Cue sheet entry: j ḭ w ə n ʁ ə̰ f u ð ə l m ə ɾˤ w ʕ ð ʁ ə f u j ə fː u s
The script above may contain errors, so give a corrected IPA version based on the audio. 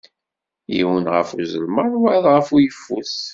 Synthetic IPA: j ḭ w ə n ʁ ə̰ f u z ə l m ə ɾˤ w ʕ ð ʁ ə f u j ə fː u s